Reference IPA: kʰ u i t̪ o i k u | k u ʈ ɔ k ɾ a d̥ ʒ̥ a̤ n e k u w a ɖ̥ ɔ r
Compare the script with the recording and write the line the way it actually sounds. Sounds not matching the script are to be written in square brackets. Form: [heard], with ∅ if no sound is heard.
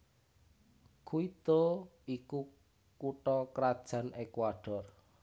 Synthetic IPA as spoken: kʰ u i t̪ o i k u | k u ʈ ɔ k ɾ a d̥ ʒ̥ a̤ n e k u w a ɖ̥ ɔ r